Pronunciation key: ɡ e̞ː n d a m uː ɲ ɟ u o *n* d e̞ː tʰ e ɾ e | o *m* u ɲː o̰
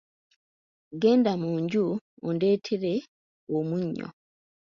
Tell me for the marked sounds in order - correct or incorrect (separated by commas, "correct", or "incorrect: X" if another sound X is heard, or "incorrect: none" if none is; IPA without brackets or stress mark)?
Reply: correct, correct